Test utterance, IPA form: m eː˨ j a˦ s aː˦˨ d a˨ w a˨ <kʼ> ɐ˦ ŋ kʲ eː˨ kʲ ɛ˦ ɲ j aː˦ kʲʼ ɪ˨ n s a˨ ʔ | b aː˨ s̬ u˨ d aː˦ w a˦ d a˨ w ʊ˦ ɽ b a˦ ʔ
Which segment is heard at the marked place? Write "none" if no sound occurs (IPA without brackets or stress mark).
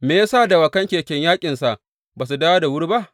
k